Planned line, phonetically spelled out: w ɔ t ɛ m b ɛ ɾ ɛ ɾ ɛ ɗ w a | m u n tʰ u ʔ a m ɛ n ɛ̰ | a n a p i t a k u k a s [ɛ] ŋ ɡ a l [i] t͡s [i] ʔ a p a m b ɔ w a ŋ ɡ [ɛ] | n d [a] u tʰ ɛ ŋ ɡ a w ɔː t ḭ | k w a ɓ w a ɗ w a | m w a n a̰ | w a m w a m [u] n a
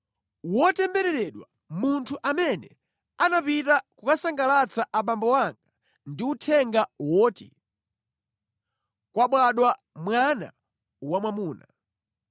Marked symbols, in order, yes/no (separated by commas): no, no, no, no, no, no